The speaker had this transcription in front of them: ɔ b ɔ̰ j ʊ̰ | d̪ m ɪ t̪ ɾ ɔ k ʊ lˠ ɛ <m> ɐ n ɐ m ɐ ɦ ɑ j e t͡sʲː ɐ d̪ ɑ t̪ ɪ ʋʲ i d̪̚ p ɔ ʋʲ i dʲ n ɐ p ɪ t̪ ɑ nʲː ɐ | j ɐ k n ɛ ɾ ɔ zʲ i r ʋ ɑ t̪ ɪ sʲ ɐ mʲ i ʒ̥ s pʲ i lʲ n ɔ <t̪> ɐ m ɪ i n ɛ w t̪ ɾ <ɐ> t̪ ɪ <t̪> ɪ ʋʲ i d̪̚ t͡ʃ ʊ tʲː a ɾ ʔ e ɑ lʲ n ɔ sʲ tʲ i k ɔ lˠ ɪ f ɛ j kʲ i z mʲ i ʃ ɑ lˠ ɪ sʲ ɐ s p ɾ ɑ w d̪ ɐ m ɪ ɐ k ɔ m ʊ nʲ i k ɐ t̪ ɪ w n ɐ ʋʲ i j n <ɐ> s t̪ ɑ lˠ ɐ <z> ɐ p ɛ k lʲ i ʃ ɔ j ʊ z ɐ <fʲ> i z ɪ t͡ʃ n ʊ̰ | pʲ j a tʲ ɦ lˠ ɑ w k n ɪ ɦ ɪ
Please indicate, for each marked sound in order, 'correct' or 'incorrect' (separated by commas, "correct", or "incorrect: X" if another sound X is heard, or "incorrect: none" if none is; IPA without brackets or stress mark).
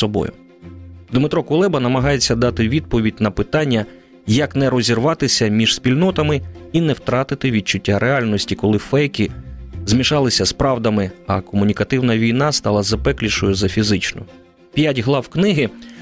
incorrect: b, correct, incorrect: ɑ, correct, incorrect: ɑ, correct, correct